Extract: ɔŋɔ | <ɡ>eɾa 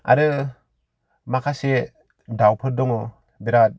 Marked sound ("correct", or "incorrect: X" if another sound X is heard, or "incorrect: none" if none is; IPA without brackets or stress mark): incorrect: b